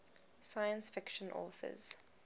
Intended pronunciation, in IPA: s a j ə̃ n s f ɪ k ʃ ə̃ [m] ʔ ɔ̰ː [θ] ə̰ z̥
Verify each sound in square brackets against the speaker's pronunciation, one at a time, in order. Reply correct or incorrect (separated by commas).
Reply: incorrect, correct